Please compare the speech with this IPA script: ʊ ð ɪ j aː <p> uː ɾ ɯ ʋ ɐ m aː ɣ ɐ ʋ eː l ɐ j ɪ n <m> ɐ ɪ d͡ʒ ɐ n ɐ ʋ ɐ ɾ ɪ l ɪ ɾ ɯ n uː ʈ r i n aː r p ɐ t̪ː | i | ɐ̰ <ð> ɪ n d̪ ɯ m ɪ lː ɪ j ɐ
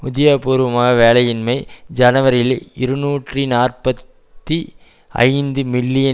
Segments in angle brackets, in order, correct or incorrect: correct, correct, incorrect: none

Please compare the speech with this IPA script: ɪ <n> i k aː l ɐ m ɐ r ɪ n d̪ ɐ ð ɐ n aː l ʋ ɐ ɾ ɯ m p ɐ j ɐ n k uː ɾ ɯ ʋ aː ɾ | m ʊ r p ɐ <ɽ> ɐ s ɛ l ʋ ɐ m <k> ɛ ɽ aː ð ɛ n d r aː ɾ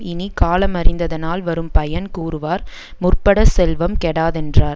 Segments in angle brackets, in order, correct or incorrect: correct, correct, correct

